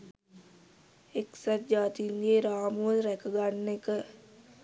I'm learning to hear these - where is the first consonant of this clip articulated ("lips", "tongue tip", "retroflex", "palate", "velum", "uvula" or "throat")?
velum